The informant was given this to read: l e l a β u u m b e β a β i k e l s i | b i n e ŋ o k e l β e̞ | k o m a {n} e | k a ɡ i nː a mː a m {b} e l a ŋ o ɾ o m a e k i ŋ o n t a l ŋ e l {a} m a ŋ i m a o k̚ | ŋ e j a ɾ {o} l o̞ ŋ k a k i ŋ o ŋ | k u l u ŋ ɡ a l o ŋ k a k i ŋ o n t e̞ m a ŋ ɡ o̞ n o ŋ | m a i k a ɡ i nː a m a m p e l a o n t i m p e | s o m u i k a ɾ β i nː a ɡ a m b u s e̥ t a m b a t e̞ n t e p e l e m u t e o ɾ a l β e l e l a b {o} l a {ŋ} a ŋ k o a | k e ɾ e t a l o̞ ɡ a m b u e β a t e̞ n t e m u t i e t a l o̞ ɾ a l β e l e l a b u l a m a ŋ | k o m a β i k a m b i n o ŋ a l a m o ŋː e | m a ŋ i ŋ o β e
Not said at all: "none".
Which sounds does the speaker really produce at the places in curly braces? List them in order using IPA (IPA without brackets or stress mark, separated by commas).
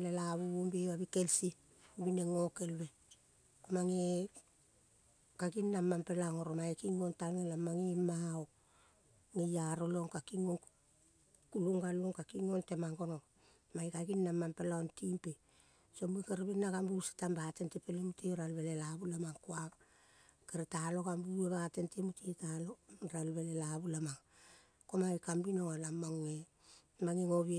ŋ, p, a, o, u, m